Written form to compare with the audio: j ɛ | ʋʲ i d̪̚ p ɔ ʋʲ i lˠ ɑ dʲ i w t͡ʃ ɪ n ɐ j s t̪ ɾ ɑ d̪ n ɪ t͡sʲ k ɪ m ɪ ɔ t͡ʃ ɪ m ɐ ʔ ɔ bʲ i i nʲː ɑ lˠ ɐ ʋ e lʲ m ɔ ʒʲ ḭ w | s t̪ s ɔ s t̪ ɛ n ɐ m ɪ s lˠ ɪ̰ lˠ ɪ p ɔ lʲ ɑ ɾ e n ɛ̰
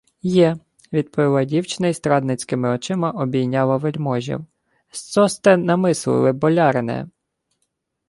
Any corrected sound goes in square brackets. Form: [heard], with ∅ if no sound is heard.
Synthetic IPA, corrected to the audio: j ɛ | ʋʲ i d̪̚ p ɔ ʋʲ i lˠ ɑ dʲ i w t͡ʃ ɪ n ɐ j s t̪ ɾ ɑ d̪ n ɪ t͡sʲ k ɪ m ɪ ɔ t͡ʃ ɪ m ɐ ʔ ɔ bʲ i [j] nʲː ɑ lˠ ɐ ʋ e lʲ m ɔ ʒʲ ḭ w | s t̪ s ɔ s t̪ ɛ n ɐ m ɪ s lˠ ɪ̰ lˠ ɪ [b] ɔ lʲ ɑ ɾ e n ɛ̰